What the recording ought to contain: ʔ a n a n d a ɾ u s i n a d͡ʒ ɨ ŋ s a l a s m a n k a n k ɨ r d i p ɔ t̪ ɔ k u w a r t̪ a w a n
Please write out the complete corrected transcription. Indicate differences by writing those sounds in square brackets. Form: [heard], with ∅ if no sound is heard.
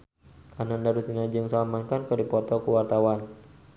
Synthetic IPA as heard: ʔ a n a n d a ɾ u s i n a d͡ʒ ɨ ŋ s a l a [∅] m a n k a n k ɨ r d i p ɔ t̪ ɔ k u w a r t̪ a w a n

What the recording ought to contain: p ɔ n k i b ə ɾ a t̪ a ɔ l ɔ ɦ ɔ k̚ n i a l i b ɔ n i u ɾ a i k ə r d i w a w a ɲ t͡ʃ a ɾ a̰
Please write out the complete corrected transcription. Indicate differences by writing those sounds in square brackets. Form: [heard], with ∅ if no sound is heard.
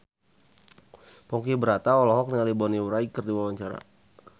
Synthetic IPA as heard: p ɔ [ŋ] k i b ə ɾ a t̪ a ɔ l ɔ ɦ ɔ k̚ n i a l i b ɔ n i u ɾ a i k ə r d i w a w a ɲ t͡ʃ a ɾ a̰

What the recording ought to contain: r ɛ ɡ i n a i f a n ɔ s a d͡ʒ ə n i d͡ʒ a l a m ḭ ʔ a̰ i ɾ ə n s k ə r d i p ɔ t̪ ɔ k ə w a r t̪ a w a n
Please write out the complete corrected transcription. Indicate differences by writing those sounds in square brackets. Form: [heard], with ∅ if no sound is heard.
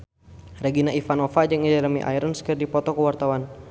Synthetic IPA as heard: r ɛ ɡ i n a i f a n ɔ [f] a d͡ʒ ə [ŋ] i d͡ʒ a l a m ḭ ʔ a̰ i ɾ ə n s k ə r d i p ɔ t̪ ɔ k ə w a r t̪ a w a n

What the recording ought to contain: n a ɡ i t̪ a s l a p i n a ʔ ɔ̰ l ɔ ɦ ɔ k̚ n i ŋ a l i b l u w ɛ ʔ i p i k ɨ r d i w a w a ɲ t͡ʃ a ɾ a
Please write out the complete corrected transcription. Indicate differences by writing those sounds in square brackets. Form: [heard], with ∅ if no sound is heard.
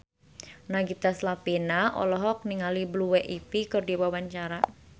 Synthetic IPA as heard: n a ɡ i t̪ a s l a p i n a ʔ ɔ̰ l ɔ ɦ ɔ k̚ n i ŋ a l i b l u w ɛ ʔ i p i k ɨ r d i w a w a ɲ t͡ʃ a ɾ a

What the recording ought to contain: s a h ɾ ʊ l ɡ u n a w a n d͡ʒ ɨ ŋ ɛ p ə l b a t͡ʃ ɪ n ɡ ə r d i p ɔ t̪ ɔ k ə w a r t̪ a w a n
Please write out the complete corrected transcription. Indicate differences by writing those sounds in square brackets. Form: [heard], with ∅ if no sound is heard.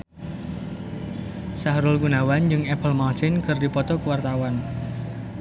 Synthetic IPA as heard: s a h ɾ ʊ l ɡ u n a w a n d͡ʒ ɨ ŋ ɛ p ə l [m] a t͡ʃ ɪ n [k] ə r d i p ɔ t̪ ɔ k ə w a r t̪ a w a n

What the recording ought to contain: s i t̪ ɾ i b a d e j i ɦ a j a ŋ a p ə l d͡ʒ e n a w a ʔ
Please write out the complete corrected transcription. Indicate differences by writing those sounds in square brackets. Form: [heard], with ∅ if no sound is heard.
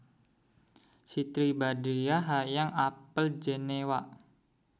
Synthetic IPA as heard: s i t̪ ɾ i b a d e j [a] ɦ a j a ŋ a p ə l d͡ʒ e n [e] w a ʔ

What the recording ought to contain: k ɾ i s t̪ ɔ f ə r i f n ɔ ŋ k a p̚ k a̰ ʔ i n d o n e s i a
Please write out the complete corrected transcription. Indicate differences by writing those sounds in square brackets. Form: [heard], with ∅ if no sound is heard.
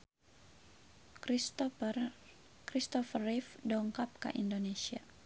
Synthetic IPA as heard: k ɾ i s t̪ ɔ f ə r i f [d] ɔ ŋ k a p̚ k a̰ ʔ i n d o n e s i a

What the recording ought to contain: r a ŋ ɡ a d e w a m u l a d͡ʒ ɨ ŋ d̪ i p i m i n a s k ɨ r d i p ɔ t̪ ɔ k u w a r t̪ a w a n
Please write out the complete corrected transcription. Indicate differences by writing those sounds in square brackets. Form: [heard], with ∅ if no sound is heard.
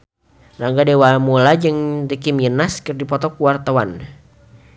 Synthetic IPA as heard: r a ŋ ɡ a d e w a m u l a d͡ʒ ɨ ŋ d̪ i [k] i m i n a s k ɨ r d i p ɔ t̪ ɔ k u w a r t̪ a w a n

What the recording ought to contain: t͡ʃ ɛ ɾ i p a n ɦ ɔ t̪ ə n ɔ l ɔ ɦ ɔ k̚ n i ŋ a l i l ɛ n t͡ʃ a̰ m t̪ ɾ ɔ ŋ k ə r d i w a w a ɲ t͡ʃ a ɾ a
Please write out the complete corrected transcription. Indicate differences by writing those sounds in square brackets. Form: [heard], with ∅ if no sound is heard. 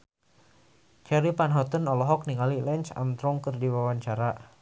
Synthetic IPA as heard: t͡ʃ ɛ ɾ i p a n ɦ ɔ t̪ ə n ɔ l ɔ ɦ ɔ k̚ n i ŋ a l i l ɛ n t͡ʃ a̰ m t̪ ɾ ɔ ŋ k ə r d i w a w a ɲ t͡ʃ a ɾ a

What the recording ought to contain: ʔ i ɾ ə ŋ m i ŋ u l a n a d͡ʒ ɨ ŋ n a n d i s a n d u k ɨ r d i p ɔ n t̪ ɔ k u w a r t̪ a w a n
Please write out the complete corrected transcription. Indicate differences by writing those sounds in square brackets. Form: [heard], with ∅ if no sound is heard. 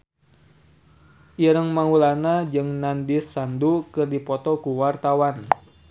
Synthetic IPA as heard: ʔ i ɾ ə ŋ m [a] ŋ u l a n a d͡ʒ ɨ ŋ n a n d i s a n d u k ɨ r d i p ɔ [∅] t̪ ɔ k u w a r t̪ a w a n

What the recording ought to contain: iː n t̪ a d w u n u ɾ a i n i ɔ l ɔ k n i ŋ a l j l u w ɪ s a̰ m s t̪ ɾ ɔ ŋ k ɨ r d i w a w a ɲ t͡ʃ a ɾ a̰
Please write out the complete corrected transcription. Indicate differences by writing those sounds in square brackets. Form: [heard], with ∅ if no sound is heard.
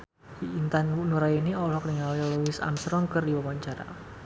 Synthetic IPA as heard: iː n t̪ a [n] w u n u ɾ a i n i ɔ l ɔ k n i ŋ a l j l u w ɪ s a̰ m s t̪ ɾ ɔ ŋ k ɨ r d i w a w a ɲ t͡ʃ a ɾ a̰

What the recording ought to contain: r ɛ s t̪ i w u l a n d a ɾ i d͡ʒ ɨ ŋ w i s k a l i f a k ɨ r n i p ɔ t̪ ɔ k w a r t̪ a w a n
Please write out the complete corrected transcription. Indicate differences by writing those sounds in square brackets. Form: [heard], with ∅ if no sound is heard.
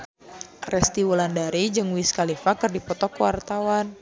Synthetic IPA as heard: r ɛ s t̪ i w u l a n d a ɾ i d͡ʒ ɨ ŋ w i s k a l i f a k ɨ r [d] i p ɔ t̪ ɔ k w a r t̪ a w a n

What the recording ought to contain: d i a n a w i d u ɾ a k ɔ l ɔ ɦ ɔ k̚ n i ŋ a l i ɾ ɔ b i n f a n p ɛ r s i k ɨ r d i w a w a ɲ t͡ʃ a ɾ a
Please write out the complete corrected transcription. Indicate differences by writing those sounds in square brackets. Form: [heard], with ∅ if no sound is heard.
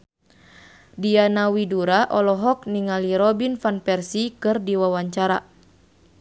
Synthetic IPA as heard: d i a n a w i d u ɾ a [ʔ] ɔ l ɔ ɦ ɔ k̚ n i ŋ a l i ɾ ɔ b i n f a n p ɛ r s i k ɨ r d i w a w a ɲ t͡ʃ a ɾ a

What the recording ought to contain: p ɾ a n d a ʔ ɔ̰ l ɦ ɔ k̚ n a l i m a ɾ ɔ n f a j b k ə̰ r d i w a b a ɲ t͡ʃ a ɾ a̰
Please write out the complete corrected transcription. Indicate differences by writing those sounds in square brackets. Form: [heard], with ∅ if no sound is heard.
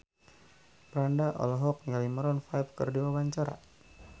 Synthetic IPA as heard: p ɾ a n d a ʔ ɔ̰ l ɦ ɔ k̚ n a l i m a ɾ ɔ n f a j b k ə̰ r d i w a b a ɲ t͡ʃ a ɾ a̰

